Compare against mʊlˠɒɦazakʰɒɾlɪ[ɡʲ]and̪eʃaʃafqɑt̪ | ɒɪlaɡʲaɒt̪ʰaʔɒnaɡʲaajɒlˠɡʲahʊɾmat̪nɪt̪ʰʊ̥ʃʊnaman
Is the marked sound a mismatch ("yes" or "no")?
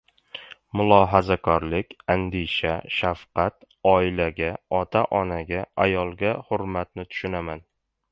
yes